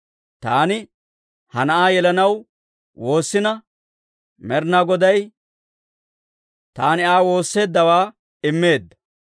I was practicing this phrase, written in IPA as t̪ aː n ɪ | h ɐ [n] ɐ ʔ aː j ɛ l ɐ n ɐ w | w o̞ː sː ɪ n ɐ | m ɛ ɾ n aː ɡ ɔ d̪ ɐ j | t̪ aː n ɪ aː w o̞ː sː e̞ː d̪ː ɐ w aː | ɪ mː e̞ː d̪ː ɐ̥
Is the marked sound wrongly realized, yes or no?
no